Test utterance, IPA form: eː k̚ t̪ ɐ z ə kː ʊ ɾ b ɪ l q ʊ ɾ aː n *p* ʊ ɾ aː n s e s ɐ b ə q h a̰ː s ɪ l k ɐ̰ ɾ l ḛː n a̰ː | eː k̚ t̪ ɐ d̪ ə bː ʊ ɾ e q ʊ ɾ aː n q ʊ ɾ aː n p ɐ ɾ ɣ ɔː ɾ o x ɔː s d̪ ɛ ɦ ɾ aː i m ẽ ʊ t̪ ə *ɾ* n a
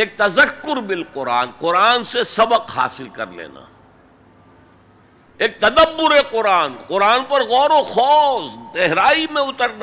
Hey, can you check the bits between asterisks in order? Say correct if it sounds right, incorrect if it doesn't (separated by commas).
incorrect, correct